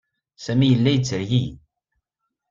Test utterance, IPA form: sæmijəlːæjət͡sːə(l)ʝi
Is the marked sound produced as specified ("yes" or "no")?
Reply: no